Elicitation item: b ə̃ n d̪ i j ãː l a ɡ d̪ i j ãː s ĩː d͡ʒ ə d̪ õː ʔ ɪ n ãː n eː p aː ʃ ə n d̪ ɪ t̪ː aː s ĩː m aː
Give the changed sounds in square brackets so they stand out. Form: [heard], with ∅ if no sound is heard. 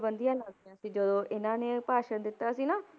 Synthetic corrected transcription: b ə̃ n d̪ i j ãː l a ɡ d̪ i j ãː s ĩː d͡ʒ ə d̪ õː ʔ ɪ n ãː n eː p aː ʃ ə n d̪ ɪ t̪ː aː s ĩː [n] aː